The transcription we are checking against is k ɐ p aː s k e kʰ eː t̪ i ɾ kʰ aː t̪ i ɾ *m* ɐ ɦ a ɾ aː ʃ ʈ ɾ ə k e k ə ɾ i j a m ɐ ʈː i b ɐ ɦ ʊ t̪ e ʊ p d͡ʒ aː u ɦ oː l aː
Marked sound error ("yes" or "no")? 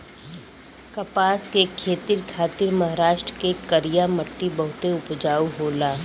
no